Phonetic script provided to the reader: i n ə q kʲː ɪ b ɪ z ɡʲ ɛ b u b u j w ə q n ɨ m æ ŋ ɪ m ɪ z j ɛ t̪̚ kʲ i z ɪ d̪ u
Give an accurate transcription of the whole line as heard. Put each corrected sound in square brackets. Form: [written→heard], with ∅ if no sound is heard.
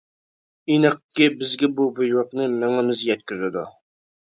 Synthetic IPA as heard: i n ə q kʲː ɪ b ɪ z ɡʲ ɛ b u b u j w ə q n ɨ m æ ŋ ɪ m ɪ z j ɛ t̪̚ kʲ [i→y] z ɪ d̪ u